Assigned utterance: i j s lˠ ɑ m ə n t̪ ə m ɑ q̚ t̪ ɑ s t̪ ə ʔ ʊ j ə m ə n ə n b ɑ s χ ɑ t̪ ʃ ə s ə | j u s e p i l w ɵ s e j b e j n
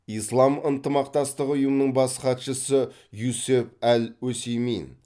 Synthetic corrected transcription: i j s lˠ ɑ m ə n t̪ ə m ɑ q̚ t̪ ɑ s t̪ ə q ʊ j ə m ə n ə ɴ b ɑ s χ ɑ t̪ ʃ ə s ə | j u s e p æ l w ɵ s e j m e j n